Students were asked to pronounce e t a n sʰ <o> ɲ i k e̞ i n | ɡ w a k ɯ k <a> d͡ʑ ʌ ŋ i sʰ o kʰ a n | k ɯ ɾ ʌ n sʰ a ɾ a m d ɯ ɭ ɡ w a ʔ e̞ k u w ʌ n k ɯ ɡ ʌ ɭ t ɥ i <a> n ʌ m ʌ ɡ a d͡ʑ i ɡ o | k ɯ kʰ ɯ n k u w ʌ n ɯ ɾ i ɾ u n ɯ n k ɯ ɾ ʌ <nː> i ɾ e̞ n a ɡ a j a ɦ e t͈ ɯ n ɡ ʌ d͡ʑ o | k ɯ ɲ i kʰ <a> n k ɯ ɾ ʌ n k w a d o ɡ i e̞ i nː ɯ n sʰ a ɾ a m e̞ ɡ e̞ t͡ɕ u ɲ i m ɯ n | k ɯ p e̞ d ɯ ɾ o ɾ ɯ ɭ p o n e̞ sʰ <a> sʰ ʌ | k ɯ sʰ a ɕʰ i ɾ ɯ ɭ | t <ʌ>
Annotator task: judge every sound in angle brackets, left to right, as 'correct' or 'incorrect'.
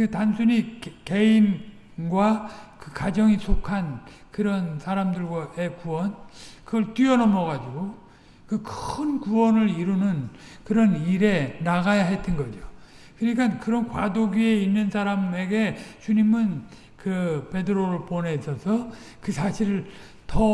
incorrect: u, correct, incorrect: ʌ, incorrect: n, correct, incorrect: ʌ, correct

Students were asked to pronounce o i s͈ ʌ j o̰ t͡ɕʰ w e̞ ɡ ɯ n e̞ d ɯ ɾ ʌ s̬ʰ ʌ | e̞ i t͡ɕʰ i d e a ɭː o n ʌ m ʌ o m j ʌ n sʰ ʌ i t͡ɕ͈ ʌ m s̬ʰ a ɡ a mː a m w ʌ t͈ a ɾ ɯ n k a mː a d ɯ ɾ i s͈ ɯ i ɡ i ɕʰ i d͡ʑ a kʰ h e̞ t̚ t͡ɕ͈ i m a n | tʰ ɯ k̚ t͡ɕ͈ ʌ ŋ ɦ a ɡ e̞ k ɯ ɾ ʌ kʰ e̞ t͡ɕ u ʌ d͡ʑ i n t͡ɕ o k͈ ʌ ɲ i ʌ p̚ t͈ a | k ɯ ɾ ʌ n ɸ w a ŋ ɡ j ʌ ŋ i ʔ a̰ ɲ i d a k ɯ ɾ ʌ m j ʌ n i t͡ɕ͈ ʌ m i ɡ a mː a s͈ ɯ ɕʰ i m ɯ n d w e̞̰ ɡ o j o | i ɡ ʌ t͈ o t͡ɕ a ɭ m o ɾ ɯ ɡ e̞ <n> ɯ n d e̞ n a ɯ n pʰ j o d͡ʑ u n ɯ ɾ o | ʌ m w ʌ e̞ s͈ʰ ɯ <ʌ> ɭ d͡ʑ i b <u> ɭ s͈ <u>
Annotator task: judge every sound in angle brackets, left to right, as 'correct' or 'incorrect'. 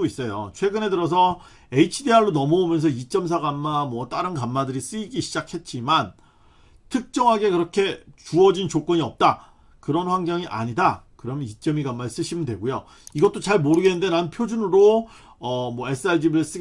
correct, incorrect: a, incorrect: ɯ, incorrect: ɯ

